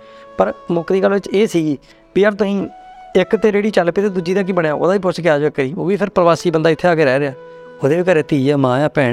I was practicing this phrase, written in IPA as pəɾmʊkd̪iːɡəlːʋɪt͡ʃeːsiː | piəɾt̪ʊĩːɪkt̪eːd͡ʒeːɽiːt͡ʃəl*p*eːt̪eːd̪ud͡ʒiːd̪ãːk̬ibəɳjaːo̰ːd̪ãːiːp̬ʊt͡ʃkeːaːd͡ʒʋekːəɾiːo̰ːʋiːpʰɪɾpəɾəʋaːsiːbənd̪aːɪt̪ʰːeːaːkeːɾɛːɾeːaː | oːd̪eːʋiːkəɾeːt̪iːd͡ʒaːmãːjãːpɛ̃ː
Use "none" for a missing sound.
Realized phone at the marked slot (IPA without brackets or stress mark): p